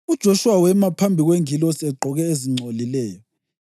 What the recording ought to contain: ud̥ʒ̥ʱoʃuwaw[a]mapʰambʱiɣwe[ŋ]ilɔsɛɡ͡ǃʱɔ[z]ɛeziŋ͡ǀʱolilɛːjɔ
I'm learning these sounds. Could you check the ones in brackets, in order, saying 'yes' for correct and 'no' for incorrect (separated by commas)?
no, yes, no